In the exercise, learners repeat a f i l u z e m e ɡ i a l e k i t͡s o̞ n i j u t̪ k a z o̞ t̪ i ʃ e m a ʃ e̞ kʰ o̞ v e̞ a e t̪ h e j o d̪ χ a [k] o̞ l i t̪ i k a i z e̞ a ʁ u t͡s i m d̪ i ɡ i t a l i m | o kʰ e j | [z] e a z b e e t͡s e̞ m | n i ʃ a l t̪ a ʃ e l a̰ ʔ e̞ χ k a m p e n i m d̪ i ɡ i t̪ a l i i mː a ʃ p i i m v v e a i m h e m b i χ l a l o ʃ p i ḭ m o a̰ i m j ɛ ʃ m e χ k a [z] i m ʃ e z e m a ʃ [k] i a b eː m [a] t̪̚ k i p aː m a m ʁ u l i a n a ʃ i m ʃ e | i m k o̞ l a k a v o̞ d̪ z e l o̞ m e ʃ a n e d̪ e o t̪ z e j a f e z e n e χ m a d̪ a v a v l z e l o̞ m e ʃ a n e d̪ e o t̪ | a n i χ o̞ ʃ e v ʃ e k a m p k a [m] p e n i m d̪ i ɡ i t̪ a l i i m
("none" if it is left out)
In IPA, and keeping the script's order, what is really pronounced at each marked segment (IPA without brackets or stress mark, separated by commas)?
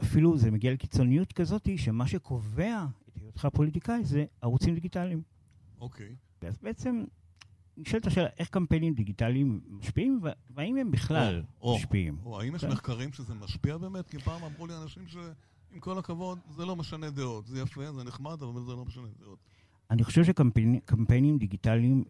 p, v, ʁ, p, e, m